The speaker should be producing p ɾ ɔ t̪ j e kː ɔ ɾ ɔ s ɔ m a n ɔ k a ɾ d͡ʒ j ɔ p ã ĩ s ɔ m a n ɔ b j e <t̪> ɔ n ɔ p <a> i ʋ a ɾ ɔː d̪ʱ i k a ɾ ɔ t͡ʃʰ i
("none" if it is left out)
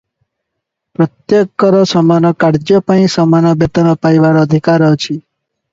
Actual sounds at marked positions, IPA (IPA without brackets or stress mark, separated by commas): t̪, a